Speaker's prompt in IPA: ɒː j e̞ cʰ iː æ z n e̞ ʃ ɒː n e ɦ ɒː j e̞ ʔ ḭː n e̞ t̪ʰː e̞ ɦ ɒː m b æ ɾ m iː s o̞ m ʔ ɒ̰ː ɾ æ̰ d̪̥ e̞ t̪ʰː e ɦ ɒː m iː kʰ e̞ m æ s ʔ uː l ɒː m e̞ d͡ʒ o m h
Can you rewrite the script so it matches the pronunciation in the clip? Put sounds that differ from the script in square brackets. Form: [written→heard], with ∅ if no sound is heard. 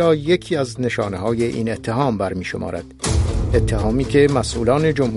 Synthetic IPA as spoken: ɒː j e̞ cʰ iː æ z n e̞ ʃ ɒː n e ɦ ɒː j e̞ ʔ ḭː n e̞ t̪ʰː e̞ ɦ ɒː m b æ ɾ m iː [s→ʃ] o̞ m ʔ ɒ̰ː ɾ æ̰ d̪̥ e̞ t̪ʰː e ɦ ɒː m iː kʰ e̞ m æ s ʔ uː l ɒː [m→n] e̞ d͡ʒ o m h